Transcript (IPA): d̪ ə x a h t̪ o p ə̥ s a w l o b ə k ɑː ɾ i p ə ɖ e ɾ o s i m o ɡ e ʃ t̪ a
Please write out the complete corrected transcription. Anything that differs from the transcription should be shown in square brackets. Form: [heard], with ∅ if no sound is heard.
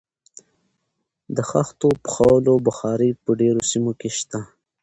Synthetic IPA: d̪ ə x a [x] t̪ o p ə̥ [x] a w l o b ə [x] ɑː ɾ i p ə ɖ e ɾ o s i m o [k] e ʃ t̪ a